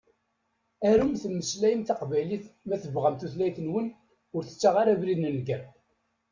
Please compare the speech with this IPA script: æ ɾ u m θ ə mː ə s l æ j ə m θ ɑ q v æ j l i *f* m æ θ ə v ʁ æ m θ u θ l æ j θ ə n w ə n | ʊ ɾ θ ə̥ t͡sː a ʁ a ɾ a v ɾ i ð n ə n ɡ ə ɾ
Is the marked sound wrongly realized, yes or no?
yes